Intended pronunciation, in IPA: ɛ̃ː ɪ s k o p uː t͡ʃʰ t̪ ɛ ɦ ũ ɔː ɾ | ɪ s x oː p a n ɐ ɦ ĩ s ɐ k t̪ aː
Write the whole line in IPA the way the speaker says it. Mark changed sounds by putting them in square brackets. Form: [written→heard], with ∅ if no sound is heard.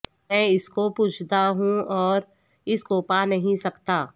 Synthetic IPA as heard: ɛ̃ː ɪ s k o p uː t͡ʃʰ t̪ [ɛ→a] ɦ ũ ɔː ɾ | ɪ s [x→k] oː p a n ɐ ɦ ĩ s ɐ k t̪ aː